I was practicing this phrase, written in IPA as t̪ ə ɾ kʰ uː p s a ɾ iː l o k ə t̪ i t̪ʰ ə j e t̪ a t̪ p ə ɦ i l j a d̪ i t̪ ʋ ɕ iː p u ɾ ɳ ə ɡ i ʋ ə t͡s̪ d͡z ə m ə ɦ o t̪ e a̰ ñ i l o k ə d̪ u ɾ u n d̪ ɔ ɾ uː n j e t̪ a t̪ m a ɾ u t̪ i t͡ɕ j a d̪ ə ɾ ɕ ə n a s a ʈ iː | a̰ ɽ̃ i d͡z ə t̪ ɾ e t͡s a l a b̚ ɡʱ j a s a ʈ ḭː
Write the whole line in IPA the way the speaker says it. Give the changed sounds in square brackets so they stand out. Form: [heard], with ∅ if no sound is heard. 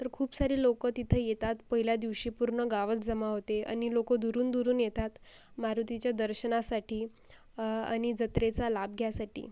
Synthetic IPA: t̪ ə ɾ kʰ uː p s a ɾ iː l o k ə t̪ i t̪ʰ ə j e t̪ a t̪ p ə ɦ i l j a d̪ i [∅] ʋ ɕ iː p u ɾ ɳ ə ɡ [a] ʋ ə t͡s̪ d͡z ə m [a] ɦ o t̪ e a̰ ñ i l o k ə d̪ u ɾ [uː] n d̪ [u] ɾ uː n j e t̪ a t̪ m a ɾ u t̪ i t͡ɕ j a d̪ ə ɾ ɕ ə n a s a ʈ iː | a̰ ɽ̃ i d͡z ə t̪ ɾ e t͡s a l a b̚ ɡʱ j a s a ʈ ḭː